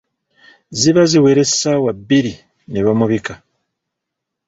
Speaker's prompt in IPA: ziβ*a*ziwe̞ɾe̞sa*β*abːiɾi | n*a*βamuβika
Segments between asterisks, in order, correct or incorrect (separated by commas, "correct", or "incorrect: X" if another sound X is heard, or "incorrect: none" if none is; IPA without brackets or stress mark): correct, incorrect: w, incorrect: e